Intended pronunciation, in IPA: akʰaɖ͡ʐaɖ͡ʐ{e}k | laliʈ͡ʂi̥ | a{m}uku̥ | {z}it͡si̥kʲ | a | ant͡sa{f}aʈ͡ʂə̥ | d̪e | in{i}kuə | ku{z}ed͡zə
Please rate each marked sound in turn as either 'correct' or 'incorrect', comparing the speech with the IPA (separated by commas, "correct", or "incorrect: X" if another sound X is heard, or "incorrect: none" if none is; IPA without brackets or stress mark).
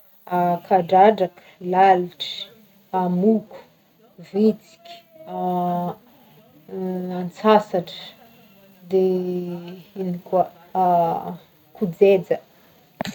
incorrect: a, correct, incorrect: v, incorrect: s, correct, incorrect: d͡z